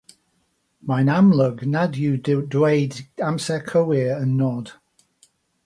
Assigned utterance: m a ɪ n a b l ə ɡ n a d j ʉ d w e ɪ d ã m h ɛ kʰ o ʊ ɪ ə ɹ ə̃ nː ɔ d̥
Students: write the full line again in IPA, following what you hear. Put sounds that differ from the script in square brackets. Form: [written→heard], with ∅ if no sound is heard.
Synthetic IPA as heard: m a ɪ n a [b→m] l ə ɡ n a d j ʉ d w e ɪ d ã m [h→s] ɛ kʰ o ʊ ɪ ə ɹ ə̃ nː ɔ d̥